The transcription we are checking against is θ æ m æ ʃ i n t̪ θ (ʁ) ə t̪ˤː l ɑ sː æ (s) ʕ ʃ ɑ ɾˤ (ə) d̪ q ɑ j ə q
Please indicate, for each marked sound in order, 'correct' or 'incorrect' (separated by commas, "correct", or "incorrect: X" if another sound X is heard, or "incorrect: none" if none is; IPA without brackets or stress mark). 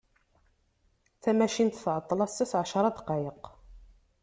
incorrect: ʕ, correct, incorrect: ɑ